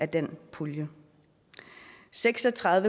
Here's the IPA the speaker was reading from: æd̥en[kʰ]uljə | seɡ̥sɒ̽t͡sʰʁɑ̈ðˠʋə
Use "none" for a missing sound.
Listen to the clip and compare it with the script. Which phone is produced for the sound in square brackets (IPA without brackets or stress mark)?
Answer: pʰ